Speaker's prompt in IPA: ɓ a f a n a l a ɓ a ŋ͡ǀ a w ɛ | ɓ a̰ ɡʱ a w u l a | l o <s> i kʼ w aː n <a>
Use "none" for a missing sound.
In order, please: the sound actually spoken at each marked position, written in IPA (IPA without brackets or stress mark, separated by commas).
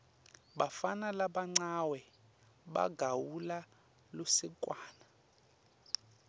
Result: s, a